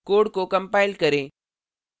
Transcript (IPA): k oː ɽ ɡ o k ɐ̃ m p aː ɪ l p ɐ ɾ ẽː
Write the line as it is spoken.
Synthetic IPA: k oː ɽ k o k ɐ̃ m p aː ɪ l k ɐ ɾ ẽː

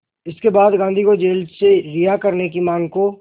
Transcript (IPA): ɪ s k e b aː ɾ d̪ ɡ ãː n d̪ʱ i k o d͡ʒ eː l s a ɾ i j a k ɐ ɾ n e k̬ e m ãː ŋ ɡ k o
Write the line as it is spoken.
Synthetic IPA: ɪ s k e b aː d̪ ɡ ãː n d̪ʱ i k o d͡ʒ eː l s e ɾ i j a k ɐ ɾ n e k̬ i m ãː ŋ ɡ k o

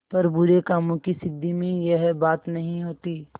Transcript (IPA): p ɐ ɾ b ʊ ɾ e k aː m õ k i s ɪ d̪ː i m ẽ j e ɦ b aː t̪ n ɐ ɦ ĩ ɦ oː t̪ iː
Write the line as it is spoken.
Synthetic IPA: p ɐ ɾ b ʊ ɾ e k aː m õ k i s ɪ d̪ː i m ẽ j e ɦ b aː t̪ n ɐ ɦ ĩ ɦ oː t̪ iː

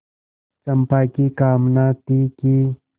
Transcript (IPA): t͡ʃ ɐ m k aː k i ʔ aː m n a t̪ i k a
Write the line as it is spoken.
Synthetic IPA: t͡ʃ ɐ m p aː k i k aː m n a t̪ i k i

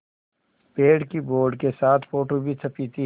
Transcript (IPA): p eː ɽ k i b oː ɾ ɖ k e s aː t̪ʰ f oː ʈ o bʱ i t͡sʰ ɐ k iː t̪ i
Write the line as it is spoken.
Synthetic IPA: p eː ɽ k i b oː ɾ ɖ k e s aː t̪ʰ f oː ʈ o bʱ i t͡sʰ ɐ p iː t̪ i

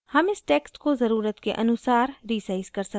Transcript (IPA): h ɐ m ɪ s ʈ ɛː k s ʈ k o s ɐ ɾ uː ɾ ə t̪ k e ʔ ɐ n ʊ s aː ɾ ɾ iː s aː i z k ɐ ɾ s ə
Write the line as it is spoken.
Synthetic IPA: h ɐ m ɪ s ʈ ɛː k s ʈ k o z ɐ ɾ uː ɾ ə t̪ k e ʔ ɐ n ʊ s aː ɾ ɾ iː s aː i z k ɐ ɾ s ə

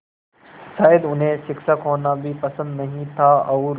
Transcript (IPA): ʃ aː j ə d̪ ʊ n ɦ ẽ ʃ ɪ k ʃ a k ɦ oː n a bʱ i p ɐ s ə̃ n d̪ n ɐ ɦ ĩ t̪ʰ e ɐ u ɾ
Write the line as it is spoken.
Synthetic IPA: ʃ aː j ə d̪ ʊ n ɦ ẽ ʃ ɪ k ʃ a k ɦ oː n a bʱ i p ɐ s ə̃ n d̪ n ɐ ɦ ĩ t̪ʰ a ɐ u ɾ

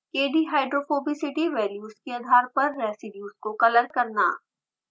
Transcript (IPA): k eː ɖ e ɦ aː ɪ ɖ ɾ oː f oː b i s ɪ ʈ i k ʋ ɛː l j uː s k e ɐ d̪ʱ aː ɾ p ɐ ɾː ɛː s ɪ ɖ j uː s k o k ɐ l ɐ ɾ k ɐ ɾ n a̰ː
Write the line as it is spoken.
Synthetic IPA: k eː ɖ i ɦ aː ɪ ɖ ɾ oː f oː b i s ɪ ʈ i ʋ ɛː l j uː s k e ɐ d̪ʱ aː ɾ p ɐ ɾː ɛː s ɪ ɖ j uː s k o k ɐ l ə ɾ k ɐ ɾ n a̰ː

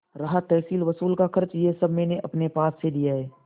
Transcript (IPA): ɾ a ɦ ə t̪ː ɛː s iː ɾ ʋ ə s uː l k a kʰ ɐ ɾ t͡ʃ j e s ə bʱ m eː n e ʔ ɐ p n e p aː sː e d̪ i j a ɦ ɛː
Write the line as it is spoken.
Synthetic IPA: ɾ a ɦ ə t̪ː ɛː s iː l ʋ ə s uː l k a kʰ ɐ ɾ t͡ʃ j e s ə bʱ m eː n e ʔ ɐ p n e p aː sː e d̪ i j a ɦ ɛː

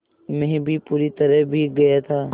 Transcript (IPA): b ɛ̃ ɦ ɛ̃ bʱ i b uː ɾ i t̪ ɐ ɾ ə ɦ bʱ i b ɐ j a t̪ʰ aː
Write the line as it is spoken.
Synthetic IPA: m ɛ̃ ɦ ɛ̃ bʱ i p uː ɾ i t̪ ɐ ɾ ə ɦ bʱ i ɡ ɐ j a t̪ʰ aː

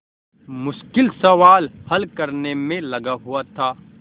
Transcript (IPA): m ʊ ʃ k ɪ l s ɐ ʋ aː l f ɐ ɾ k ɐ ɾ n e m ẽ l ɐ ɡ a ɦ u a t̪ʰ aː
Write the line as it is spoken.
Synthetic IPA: m ʊ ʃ k ɪ l s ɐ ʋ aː l h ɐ l k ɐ ɾ n e m ẽ l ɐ ɡ a ɦ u a t̪ʰ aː

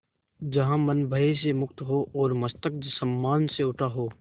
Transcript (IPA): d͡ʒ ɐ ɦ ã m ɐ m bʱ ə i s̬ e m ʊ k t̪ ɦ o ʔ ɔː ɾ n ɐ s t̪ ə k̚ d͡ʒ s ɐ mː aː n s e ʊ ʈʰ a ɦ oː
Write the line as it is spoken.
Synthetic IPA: d͡ʒ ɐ ɦ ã m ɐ n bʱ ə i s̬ e m ʊ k t̪ ɦ o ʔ ɔː ɾ m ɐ s t̪ ə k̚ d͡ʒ s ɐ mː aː n s e ʊ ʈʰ a ɦ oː

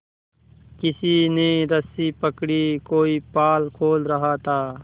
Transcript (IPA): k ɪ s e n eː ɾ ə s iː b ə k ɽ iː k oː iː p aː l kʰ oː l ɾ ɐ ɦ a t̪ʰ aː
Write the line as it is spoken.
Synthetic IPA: k ɪ s i n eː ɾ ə s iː p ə k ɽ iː k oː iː p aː l kʰ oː l ɾ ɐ ɦ a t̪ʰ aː

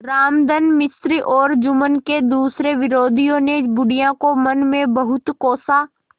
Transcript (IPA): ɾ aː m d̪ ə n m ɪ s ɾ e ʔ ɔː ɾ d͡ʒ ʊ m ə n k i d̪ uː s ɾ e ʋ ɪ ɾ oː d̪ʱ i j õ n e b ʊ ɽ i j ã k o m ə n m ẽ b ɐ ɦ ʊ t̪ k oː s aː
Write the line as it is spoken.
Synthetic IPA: ɾ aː m d̪ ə n m ɪ s ɾ i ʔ ɔː ɾ d͡ʒ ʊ m ə n k e d̪ uː s ɾ e ʋ ɪ ɾ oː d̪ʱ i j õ n e b ʊ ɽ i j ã k o m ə n m ẽ b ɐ ɦ ʊ t̪ k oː s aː

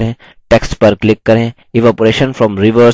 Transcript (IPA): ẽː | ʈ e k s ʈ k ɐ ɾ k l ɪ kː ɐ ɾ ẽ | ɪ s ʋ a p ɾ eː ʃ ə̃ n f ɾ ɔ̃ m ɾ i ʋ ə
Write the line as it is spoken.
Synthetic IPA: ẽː | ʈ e k s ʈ p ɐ ɾ k l ɪ kː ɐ ɾ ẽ | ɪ ʋ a p ɾ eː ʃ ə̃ n f ɾ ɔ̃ m ɾ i ʋ ə

